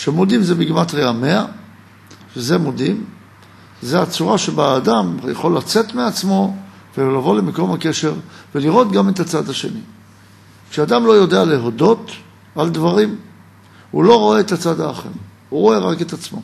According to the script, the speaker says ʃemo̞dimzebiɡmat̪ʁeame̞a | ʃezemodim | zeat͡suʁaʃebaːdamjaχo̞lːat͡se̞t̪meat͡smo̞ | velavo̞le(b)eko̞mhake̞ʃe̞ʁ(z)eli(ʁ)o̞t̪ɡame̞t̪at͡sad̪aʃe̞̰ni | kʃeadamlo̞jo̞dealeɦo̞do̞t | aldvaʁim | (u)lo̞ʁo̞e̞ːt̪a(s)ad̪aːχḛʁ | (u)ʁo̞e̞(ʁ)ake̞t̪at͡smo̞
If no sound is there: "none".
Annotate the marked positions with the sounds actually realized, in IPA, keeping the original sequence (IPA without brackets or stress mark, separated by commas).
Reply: m, v, ʁ, u, t͡s, u, ʁ